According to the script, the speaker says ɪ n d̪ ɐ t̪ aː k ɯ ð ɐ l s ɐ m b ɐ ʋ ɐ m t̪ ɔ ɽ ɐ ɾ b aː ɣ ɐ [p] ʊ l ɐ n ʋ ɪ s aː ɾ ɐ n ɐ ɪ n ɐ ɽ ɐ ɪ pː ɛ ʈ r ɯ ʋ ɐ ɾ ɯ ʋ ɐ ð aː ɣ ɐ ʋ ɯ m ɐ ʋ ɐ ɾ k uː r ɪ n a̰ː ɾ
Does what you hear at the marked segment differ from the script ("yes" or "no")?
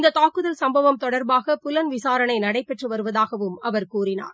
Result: no